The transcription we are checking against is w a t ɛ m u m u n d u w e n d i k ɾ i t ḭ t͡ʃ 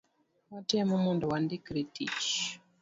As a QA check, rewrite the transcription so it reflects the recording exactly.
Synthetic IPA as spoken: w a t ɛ m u m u n d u w a n d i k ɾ i t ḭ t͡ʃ